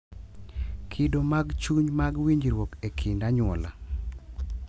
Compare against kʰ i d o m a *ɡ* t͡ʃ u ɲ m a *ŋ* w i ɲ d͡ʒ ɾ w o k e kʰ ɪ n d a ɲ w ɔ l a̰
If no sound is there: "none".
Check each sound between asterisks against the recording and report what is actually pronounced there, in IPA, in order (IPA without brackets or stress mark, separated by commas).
ɡ, ɡ